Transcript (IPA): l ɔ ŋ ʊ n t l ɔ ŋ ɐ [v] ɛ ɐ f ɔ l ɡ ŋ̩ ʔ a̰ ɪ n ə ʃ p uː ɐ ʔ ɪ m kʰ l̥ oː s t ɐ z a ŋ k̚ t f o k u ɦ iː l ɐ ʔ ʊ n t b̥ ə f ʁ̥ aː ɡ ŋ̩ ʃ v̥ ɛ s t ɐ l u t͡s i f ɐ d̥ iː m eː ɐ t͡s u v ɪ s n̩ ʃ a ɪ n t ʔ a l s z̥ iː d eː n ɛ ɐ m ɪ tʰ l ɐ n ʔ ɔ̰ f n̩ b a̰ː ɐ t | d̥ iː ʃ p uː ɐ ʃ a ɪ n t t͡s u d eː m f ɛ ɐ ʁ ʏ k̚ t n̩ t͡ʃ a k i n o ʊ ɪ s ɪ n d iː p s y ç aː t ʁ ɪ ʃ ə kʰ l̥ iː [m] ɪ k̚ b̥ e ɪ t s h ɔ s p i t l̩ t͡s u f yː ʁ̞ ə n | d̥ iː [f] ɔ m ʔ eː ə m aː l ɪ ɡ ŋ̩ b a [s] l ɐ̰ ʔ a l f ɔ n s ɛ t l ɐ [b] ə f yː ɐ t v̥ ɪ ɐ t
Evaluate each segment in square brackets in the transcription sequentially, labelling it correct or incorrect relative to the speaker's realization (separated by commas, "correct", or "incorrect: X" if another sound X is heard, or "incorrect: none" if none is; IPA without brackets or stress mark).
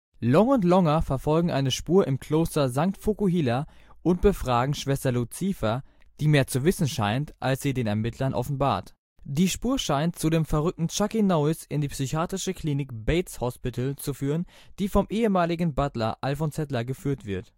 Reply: incorrect: f, incorrect: n, correct, incorrect: t, incorrect: ɡ